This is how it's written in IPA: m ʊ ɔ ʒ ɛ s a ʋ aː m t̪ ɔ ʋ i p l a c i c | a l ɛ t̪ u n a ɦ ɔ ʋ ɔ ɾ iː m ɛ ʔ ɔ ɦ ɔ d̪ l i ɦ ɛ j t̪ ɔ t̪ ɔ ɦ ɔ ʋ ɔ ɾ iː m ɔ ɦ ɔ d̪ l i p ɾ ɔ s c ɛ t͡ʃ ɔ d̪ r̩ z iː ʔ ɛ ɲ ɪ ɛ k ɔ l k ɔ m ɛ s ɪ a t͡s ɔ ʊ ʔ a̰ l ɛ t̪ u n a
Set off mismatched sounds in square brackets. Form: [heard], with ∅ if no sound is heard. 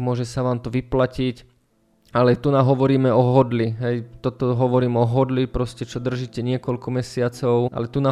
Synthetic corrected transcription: m ʊ ɔ ʒ ɛ s a ʋ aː m t̪ ɔ ʋ i p l a c i c | a l ɛ t̪ u n a ɦ ɔ ʋ ɔ ɾ iː m ɛ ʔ ɔ ɦ ɔ d̪ l i ɦ ɛ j t̪ ɔ t̪ ɔ ɦ ɔ ʋ ɔ ɾ iː m ɔ ɦ ɔ d̪ l i p ɾ ɔ s c ɛ t͡ʃ ɔ d̪ r̩ [ʒ] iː [c] ɛ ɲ ɪ ɛ k ɔ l k ɔ m ɛ s ɪ a t͡s ɔ ʊ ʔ a̰ l ɛ t̪ u n a